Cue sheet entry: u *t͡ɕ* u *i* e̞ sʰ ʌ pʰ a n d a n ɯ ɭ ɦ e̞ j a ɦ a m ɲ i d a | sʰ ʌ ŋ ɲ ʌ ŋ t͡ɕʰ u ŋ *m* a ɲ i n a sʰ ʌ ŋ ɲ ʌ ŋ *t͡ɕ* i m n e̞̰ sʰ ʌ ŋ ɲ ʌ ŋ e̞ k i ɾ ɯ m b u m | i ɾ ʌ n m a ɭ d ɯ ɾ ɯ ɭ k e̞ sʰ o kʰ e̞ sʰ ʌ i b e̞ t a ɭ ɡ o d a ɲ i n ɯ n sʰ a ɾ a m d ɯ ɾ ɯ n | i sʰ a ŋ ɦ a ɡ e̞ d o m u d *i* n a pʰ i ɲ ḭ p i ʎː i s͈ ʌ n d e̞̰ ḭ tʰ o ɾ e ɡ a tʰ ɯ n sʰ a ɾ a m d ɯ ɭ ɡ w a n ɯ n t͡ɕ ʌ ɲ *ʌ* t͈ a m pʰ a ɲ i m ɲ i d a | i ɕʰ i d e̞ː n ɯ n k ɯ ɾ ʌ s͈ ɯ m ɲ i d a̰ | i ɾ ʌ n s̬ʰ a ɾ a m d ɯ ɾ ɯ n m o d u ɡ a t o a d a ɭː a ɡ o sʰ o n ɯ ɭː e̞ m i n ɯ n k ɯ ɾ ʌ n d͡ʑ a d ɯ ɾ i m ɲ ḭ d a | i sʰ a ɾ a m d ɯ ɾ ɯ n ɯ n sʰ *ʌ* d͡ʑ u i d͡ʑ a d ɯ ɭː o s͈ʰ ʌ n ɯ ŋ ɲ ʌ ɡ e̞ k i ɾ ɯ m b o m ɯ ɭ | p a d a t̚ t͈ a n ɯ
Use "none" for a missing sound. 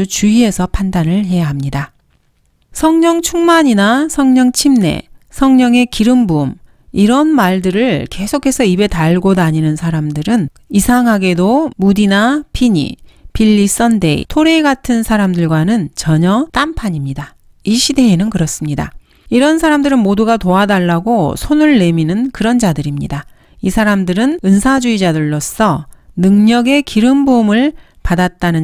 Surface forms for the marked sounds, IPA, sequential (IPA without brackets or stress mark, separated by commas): t͡ɕ, i, m, t͡ɕʰ, i, ʌ, a